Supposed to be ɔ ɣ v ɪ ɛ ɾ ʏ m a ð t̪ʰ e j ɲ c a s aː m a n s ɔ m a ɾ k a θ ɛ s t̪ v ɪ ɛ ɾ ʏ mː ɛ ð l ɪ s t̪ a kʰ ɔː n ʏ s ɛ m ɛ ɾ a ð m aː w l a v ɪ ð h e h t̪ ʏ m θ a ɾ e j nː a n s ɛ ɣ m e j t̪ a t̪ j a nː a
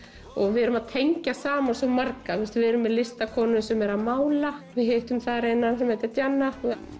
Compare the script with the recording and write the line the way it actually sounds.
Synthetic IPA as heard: ɔ ɣ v ɪ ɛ ɾ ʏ m a ð t̪ʰ e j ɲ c a s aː m a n s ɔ m a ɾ k a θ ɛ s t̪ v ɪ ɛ ɾ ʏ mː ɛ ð l ɪ s t̪ a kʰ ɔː n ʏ s ɛ m ɛ ɾ a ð m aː w l a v ɪ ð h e h t̪ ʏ m θ a ɾ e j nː a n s ɛ m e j t̪ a t̪ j a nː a